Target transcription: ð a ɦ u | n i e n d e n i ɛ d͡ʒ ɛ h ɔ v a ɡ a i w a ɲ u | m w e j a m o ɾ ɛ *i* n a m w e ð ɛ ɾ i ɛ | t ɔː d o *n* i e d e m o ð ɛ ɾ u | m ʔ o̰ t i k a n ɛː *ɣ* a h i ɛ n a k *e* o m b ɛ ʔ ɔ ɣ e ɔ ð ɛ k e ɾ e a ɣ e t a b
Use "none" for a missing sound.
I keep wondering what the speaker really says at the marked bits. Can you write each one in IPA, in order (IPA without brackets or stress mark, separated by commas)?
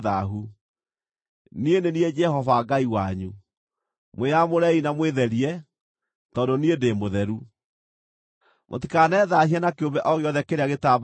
i, n, ð, e